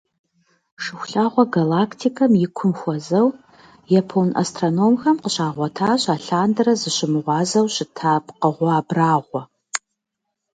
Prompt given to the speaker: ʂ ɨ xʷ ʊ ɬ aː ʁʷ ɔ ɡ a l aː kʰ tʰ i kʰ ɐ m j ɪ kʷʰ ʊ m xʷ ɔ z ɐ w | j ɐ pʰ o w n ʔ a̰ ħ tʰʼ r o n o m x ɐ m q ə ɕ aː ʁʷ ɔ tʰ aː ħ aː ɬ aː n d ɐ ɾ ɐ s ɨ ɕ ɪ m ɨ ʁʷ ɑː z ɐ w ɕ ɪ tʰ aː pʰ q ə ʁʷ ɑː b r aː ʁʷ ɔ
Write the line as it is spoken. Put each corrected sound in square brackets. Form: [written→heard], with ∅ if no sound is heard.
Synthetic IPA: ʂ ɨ xʷ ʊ ɬ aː ʁʷ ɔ ɡ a l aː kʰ tʰ i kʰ ɐ m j ɪ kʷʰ ʊ m xʷ ɔ z ɐ w | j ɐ pʰ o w n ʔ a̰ [ħ→s] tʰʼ r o n o m x ɐ m q ə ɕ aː ʁʷ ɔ tʰ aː [ħ→ɕ] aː ɬ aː n d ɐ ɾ ɐ [s→z] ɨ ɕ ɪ m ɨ ʁʷ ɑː z ɐ w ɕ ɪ tʰ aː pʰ q ə ʁʷ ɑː b r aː ʁʷ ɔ